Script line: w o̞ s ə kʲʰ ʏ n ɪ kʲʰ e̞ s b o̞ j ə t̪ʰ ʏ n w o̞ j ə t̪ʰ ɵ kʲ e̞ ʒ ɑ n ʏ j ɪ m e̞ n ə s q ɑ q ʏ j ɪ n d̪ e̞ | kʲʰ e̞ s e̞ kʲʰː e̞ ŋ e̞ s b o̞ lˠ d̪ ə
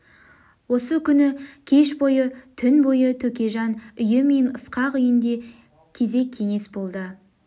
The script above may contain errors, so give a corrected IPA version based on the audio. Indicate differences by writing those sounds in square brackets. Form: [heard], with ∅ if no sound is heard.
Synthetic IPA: w o̞ s ə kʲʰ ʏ n ɪ kʲʰ e̞ [ʃ] b o̞ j ə t̪ʰ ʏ n [b] o̞ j ə t̪ʰ ɵ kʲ e̞ ʒ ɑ n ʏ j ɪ m e̞ n ə s q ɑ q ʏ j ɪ n d̪ e̞ | kʲʰ e̞ [z] e̞ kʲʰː e̞ ŋ e̞ s b o̞ lˠ d̪ ə